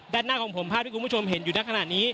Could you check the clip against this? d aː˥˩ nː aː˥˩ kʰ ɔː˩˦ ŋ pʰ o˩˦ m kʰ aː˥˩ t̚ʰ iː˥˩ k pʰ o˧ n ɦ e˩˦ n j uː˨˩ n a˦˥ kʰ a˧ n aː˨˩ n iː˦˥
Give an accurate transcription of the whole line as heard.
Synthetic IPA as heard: d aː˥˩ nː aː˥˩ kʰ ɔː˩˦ ŋ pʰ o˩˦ m pʰ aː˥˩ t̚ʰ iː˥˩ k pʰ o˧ m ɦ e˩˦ n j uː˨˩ n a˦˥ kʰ a˧ n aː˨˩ n iː˦˥